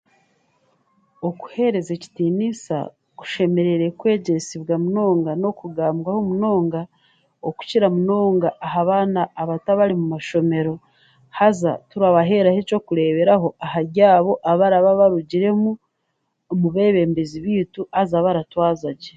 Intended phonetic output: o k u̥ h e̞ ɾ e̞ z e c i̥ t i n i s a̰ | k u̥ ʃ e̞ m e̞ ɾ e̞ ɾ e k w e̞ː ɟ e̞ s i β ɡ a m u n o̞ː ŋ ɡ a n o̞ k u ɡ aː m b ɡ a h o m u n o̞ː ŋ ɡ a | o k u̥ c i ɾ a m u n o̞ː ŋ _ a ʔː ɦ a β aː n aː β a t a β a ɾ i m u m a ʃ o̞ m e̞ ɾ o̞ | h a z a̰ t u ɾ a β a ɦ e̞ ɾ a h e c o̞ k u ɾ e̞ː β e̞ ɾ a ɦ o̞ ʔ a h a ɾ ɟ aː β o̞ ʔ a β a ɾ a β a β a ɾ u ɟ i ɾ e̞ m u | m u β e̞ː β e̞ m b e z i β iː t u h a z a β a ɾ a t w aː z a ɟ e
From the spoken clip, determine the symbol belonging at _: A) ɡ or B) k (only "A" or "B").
A